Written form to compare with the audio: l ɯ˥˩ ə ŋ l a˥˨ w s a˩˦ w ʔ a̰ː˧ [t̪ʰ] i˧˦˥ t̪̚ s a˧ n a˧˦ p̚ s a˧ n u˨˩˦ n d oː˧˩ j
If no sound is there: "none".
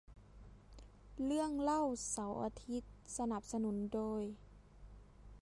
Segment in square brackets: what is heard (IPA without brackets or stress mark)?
t̪ʰ